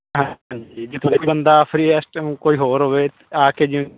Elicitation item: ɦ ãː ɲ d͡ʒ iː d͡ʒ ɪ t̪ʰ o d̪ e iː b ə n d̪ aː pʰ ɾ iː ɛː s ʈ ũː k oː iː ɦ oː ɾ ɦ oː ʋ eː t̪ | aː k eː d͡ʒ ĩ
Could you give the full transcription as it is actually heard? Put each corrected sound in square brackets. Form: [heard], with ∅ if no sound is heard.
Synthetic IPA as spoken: ɦ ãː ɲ d͡ʒ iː d͡ʒ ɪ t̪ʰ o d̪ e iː b ə n d̪ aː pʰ ɾ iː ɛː s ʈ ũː k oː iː ɦ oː ɾ ɦ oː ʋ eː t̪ | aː k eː d͡ʒ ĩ